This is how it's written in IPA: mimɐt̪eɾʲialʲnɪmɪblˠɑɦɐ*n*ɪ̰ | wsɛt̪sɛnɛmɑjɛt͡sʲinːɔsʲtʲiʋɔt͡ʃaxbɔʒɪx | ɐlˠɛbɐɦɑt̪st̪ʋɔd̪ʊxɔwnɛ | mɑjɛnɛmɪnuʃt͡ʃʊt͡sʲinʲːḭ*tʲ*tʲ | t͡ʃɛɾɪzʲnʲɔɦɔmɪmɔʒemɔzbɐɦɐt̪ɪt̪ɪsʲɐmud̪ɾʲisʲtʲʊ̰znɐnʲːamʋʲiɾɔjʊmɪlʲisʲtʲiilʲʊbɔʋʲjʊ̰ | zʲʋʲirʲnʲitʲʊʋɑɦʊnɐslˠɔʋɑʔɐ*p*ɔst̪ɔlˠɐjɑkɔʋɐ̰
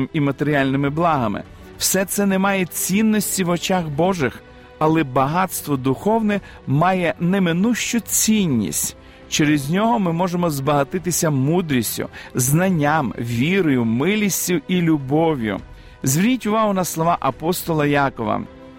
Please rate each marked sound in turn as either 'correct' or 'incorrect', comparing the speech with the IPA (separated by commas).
incorrect, incorrect, correct